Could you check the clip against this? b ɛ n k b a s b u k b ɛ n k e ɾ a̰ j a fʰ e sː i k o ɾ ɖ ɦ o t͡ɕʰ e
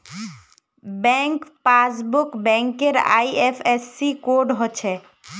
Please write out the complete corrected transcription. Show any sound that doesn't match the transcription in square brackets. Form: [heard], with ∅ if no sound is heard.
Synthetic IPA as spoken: b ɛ [ŋ] k [p] a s b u k b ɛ [ŋ] k e ɾ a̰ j [e] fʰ e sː i k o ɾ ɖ ɦ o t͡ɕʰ e